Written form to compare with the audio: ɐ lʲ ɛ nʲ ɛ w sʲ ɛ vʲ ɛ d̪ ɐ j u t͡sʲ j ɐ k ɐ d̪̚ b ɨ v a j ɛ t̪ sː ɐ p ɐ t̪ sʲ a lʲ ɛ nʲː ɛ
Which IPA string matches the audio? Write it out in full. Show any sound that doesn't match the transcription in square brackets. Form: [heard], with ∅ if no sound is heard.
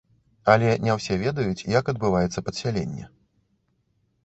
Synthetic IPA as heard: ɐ lʲ ɛ nʲ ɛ w sʲ ɛ vʲ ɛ d̪ ɐ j u t͡sʲ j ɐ k ɐ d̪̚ b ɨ v a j ɛ t̪ sː ɐ p ɐ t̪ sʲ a lʲ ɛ nʲː ɛ